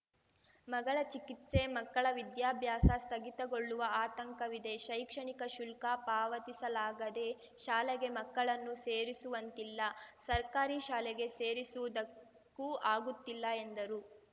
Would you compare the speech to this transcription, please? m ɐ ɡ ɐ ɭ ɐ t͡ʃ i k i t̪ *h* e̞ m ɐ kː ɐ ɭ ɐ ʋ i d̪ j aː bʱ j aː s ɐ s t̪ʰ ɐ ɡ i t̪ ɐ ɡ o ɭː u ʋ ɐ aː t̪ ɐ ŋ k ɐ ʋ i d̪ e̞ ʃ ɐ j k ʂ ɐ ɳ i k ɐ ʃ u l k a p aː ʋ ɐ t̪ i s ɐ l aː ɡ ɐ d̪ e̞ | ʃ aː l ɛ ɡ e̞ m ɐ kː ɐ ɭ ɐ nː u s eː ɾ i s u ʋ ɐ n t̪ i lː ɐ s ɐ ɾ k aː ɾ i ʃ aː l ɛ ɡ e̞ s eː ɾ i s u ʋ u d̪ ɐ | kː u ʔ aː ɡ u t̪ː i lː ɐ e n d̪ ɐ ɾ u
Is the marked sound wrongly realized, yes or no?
yes